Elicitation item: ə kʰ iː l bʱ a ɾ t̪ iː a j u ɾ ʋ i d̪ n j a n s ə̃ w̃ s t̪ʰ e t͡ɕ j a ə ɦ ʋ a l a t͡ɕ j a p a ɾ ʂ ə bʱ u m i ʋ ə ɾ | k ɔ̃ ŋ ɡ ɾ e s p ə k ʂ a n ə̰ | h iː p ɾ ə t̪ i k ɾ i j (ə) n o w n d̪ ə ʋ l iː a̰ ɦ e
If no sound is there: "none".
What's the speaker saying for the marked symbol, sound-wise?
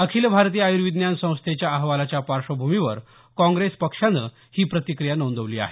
a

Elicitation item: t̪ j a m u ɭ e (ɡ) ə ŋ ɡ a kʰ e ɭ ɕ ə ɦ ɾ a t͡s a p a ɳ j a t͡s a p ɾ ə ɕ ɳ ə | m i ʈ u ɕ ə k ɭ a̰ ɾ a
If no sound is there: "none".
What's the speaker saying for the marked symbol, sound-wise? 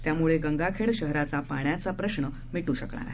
ɡ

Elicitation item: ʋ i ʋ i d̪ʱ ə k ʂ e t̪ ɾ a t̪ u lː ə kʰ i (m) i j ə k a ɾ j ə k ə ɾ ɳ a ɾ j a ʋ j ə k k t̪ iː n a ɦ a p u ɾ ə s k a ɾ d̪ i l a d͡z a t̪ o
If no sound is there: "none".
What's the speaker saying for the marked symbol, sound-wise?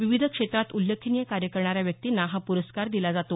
n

